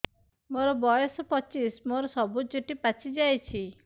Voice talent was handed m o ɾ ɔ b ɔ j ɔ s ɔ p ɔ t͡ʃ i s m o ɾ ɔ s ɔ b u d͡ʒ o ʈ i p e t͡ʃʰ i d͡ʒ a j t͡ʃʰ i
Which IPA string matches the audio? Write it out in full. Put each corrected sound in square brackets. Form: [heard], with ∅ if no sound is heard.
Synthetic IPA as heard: m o ɾ ɔ b ɔ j ɔ s ɔ p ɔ t͡ʃ i s m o ɾ ɔ s ɔ b u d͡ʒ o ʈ i p [a] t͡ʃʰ i d͡ʒ a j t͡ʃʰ i